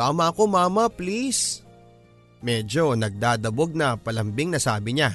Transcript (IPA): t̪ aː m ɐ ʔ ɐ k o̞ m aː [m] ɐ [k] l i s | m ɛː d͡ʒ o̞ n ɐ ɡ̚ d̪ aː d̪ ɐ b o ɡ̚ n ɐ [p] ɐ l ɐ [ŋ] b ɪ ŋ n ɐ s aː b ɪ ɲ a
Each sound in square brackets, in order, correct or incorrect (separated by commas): correct, incorrect, correct, incorrect